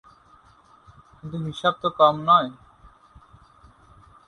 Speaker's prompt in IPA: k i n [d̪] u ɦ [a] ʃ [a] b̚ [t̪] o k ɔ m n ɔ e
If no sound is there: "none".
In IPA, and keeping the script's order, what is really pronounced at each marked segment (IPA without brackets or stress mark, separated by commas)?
t̪, i, a, t̪